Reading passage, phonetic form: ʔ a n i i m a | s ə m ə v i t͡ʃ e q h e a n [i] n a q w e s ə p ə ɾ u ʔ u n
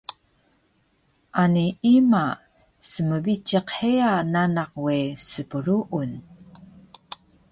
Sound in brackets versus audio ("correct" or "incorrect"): incorrect